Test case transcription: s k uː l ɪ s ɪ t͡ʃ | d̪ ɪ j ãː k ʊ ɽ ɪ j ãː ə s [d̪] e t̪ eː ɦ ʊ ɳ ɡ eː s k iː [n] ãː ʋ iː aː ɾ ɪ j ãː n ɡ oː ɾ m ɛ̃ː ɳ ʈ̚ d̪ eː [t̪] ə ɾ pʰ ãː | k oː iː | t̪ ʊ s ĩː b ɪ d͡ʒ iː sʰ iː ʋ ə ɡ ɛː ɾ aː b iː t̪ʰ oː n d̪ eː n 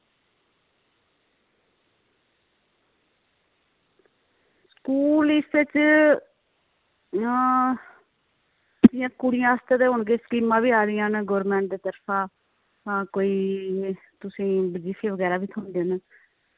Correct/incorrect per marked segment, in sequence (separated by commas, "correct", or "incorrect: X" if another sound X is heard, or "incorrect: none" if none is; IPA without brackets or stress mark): incorrect: t̪, incorrect: m, correct